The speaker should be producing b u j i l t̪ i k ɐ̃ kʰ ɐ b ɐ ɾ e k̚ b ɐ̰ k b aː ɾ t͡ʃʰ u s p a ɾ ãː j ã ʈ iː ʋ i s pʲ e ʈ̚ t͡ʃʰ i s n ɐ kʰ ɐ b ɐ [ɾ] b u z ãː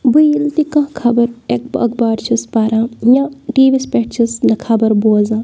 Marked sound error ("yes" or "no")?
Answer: no